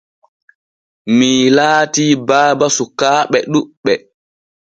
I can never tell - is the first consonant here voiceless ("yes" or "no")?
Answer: no